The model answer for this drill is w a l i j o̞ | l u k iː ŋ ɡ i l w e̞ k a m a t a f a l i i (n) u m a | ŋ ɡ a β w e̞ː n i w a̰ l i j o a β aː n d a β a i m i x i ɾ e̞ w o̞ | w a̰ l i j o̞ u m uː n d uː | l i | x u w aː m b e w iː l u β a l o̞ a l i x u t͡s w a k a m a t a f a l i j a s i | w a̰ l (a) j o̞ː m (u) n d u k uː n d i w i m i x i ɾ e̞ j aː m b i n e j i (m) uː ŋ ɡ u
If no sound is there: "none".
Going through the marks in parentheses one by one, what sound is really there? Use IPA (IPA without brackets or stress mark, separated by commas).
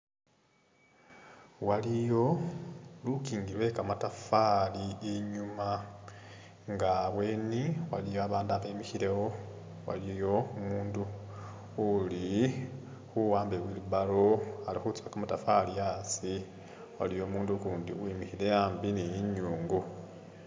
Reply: ɲ, i, uː, ɲ